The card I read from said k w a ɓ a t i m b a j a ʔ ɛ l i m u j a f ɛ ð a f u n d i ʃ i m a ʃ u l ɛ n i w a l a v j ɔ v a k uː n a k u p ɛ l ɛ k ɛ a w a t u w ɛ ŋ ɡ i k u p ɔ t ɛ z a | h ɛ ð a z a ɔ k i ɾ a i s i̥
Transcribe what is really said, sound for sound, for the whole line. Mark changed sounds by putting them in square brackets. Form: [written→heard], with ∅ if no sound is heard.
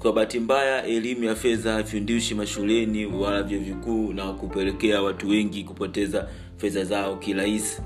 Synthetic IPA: k w a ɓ a t i m b a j a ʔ ɛ l i m u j a f ɛ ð a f u n d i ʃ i m a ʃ u l ɛ n i w a l a v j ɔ v [a→i] k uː n a k u p ɛ l ɛ k ɛ a w a t u w ɛ ŋ ɡ i k u p ɔ t ɛ z a | [h→f] ɛ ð a z a ɔ k i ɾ a i s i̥